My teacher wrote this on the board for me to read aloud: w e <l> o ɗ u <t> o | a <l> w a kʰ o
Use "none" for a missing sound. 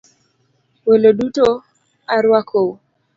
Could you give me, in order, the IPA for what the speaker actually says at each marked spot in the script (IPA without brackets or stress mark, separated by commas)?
l, t, ɾ